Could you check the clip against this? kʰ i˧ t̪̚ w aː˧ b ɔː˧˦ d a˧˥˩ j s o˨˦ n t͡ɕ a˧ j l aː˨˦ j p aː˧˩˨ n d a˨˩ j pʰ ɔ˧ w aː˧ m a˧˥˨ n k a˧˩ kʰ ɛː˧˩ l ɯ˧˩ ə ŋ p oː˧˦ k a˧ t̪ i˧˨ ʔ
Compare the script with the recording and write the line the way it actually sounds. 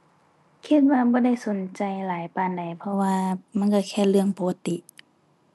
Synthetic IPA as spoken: kʰ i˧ t̪̚ w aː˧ b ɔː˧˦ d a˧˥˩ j s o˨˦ n t͡ɕ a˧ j l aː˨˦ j p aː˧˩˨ n d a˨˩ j pʰ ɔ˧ w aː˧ m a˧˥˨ n k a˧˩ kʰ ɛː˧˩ l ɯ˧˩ ə ŋ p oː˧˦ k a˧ t̪ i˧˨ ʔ